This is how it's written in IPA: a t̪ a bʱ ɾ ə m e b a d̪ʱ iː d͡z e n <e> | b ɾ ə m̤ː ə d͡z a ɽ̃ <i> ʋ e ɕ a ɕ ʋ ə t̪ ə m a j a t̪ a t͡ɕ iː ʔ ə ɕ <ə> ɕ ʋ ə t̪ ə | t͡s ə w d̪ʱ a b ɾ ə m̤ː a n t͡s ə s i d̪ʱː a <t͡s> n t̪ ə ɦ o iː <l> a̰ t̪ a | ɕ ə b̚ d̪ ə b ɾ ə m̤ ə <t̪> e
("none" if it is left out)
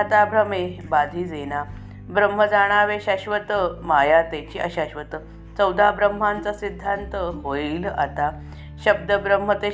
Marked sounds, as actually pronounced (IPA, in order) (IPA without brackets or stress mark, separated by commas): a, a, a, none, l, t̪